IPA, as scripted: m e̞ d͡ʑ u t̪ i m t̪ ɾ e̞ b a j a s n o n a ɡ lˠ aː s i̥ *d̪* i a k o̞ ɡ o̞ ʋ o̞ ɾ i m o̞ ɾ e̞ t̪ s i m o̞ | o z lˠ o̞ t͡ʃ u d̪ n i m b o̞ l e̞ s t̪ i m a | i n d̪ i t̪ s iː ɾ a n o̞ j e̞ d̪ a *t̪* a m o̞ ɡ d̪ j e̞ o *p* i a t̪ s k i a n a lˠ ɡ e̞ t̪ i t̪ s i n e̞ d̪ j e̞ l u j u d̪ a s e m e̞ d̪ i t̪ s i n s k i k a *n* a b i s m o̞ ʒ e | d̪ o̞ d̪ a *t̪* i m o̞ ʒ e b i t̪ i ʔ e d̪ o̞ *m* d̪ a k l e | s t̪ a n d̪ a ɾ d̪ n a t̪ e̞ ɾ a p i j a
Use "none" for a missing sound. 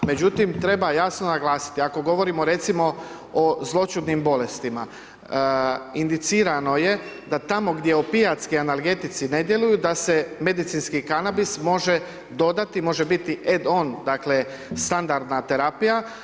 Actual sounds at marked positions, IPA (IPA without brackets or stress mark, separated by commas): t̪, t̪, p, n, t̪, n